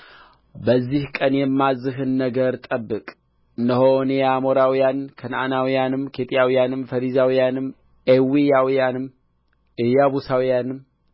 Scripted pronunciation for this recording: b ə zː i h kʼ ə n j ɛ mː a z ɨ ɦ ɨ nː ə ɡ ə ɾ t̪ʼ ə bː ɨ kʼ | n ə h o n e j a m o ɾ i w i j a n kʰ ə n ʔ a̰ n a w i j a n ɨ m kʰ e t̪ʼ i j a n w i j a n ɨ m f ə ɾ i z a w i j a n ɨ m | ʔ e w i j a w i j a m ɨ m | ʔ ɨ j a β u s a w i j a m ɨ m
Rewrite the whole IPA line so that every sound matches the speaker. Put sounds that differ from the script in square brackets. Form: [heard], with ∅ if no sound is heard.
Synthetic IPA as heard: b ə zː i h kʼ ə n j ɛ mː a z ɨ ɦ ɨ nː ə ɡ ə ɾ t̪ʼ ə bː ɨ kʼ | n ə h o n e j a m o ɾ [a] w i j a n kʰ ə n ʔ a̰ n a w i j a n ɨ m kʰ e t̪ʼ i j a [∅] w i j a n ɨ m f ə ɾ i z a w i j a n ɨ m | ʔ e w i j a w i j a [n] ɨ m | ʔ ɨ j a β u s a w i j a [n] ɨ m